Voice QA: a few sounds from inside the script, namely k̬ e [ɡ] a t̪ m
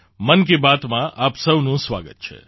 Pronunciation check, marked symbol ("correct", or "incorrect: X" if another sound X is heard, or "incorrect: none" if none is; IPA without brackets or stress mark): incorrect: b